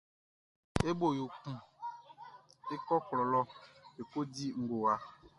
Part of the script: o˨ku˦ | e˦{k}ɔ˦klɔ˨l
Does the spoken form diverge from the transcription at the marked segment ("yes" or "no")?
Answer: no